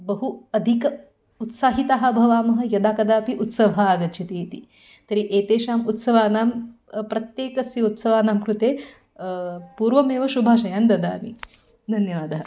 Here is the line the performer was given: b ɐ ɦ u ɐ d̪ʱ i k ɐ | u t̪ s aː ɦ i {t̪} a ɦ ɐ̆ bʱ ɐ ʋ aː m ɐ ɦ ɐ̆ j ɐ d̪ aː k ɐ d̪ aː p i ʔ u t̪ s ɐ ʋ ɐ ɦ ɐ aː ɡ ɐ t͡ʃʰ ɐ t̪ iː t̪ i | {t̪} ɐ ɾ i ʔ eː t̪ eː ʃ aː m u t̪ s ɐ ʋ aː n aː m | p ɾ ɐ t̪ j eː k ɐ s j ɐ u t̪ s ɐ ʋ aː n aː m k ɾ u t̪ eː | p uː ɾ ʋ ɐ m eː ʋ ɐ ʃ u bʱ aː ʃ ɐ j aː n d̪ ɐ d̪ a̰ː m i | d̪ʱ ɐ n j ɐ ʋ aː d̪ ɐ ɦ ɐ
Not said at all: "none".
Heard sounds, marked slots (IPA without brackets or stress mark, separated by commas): t̪, t̪